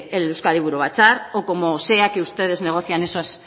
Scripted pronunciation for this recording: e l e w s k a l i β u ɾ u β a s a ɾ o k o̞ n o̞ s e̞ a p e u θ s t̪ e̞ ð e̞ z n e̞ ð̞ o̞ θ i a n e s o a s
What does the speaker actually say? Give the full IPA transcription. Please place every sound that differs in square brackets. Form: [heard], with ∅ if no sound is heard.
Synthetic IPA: e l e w s k a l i β u ɾ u β a [t͡s] a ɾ o k o̞ [m] o̞ s e̞ a [k] e u [∅] s t̪ e̞ ð e̞ z n e̞ [ɣ̞] o̞ θ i a n e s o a s

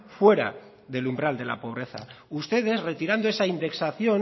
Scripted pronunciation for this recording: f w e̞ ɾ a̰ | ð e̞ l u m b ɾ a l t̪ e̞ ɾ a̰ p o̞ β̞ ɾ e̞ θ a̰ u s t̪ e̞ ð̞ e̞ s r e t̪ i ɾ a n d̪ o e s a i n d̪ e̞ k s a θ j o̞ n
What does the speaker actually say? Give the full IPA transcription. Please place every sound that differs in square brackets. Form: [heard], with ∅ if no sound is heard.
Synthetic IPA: f w e̞ ɾ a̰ | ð e̞ l u m b ɾ a l [d̪] e̞ [l] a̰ p o̞ β̞ ɾ e̞ θ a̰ u s t̪ e̞ ð̞ e̞ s r e t̪ i ɾ a n d̪ o e s a i n d̪ e̞ k s a θ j o̞ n

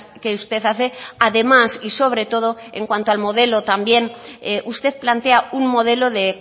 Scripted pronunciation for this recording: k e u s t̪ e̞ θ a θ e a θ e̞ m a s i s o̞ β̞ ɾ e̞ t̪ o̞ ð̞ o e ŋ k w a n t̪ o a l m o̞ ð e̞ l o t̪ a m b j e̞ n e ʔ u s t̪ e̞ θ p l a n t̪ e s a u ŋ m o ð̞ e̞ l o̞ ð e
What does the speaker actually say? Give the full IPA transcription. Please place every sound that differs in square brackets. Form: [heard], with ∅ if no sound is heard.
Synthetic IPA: k e u s t̪ e̞ θ a θ e a [ð] e̞ m a s i s o̞ β̞ ɾ e̞ t̪ o̞ ð̞ o e ŋ k w a n t̪ o a l m o̞ ð e̞ l o t̪ a m b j e̞ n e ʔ u s t̪ e̞ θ p l a n t̪ e [∅] a u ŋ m o ð̞ e̞ l o̞ ð e

